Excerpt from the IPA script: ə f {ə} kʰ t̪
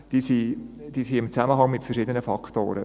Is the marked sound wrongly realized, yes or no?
yes